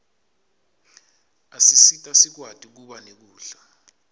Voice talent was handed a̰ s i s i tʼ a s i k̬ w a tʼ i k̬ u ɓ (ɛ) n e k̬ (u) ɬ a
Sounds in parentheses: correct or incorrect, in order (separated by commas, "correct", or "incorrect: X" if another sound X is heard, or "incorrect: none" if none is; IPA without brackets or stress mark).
incorrect: a, incorrect: uː